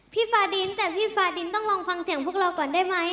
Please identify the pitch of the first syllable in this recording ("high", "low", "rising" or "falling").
falling